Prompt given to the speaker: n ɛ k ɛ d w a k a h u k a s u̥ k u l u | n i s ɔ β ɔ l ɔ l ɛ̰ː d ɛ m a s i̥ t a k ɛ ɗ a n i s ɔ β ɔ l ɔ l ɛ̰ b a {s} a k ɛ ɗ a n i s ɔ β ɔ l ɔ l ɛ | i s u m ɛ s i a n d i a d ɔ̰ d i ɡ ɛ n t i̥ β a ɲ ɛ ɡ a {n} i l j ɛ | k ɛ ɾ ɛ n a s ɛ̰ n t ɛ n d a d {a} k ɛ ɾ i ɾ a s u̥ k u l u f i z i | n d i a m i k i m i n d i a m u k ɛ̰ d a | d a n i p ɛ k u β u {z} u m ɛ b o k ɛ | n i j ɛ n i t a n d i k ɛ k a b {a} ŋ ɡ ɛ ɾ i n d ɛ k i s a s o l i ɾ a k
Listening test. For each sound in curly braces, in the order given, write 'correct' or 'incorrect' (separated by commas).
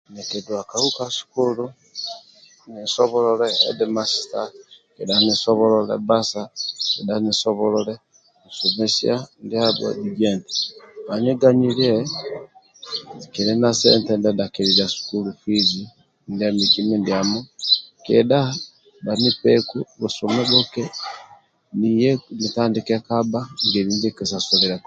correct, incorrect, correct, incorrect, correct